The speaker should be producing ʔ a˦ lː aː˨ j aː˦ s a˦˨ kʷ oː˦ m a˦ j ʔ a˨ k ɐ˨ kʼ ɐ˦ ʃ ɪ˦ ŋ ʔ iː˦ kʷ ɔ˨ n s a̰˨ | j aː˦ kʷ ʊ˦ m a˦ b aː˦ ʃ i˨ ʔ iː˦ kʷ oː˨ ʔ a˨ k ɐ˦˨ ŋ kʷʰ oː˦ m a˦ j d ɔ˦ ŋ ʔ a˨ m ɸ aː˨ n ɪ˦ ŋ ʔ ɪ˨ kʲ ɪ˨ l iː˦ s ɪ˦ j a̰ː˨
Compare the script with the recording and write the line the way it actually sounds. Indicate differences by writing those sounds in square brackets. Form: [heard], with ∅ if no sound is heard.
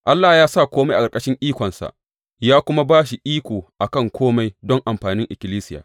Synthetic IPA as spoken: ʔ a˦ lː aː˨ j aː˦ s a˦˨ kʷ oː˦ m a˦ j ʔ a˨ k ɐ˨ kʼ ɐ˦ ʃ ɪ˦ ŋ ʔ iː˦ kʷ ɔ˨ n s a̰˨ | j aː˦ kʷ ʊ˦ m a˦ b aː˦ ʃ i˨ ʔ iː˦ kʷ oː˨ ʔ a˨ k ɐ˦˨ ŋ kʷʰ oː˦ m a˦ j d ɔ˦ ŋ ʔ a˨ m ɸ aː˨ n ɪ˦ ŋ ʔ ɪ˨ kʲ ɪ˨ l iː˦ s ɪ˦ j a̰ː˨